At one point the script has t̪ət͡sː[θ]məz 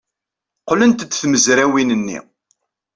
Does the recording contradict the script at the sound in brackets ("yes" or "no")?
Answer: no